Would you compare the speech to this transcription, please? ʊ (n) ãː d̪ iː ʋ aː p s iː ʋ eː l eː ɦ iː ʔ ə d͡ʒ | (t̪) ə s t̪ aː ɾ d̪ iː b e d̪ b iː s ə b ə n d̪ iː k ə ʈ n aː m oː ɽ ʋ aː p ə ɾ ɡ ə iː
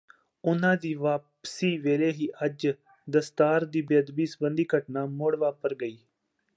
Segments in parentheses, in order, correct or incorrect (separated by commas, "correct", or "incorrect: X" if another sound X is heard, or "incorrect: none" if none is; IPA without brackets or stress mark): correct, incorrect: d̪